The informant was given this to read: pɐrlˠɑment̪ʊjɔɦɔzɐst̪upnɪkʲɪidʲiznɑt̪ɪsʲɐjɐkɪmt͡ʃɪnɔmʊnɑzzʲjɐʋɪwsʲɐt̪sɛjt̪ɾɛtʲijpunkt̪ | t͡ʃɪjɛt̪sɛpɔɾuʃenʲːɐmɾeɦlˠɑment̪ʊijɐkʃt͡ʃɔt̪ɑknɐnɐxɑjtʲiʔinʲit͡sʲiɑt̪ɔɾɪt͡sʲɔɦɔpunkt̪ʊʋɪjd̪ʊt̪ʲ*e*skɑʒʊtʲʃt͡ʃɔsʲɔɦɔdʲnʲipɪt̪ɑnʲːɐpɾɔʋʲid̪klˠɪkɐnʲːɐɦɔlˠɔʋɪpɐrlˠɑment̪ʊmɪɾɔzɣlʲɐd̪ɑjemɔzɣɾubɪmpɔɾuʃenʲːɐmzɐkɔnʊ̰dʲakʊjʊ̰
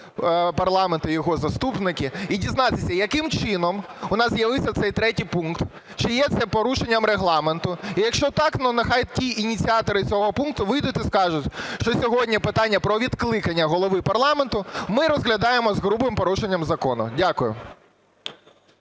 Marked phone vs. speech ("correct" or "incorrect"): incorrect